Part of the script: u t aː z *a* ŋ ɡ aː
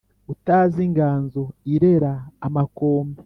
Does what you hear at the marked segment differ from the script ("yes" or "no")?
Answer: yes